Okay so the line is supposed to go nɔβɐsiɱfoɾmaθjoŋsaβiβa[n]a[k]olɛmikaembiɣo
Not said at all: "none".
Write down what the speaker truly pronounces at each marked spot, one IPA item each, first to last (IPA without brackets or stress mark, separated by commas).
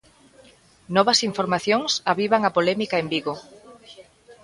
ŋ, p